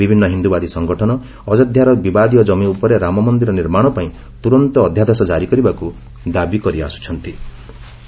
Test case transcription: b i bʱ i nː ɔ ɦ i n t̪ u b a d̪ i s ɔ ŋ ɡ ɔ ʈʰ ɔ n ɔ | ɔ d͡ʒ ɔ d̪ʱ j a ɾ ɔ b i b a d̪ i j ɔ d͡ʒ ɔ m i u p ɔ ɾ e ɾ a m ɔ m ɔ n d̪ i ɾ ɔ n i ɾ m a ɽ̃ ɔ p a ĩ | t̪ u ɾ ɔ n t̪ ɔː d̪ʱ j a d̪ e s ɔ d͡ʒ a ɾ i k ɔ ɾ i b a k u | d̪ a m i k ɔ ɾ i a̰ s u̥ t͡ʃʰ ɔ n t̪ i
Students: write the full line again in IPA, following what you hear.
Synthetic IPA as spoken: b i bʱ i nː ɔ ɦ i n d̪ u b a d̪ i s ɔ ŋ ɡ ɔ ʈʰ ɔ n ɔ | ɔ d͡ʒ ɔ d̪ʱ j a ɾ ɔ b i b a d̪ i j ɔ d͡ʒ ɔ m i u p ɔ ɾ e ɾ a m ɔ m ɔ n d̪ i ɾ ɔ n i ɾ m a ɽ̃ ɔ p a ĩ | t̪ u ɾ ɔ n t̪ ɔː d̪ʱ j a d̪ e s ɔ d͡ʒ a ɾ i k ɔ ɾ i b a k u | d̪ a b i k ɔ ɾ i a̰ s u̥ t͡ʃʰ ɔ n t̪ i